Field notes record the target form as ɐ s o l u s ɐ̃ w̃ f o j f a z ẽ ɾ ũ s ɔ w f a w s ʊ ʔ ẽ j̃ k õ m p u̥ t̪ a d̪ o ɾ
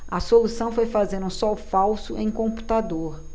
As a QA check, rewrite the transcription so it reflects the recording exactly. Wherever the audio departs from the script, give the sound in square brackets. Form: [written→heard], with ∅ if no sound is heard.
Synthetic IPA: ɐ s o l u s ɐ̃ w̃ f o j f a z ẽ ɾ ũ s ɔ w f a w s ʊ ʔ ẽ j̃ k õ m p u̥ t̪ a d̪ o ɾ